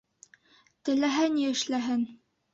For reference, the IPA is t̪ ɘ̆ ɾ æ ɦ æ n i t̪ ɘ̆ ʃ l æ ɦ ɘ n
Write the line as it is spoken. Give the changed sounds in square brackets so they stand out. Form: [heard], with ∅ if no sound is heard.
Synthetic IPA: t̪ ɘ̆ [l] æ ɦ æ n i [∅] ɘ̆ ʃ l æ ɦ ɘ n